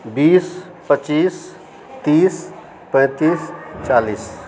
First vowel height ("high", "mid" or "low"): high